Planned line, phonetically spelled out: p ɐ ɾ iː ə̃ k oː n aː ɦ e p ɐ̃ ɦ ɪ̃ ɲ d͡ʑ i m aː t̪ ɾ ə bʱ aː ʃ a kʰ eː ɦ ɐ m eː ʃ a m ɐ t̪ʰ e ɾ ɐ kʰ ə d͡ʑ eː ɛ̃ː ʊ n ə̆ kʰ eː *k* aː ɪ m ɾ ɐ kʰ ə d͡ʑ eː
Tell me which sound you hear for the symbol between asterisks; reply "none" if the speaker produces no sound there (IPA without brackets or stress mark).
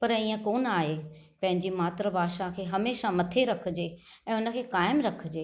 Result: k